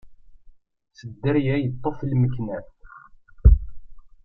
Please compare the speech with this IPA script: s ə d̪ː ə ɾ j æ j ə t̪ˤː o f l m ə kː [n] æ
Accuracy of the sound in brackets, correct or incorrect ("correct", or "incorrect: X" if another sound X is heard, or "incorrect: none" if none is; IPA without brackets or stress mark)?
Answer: correct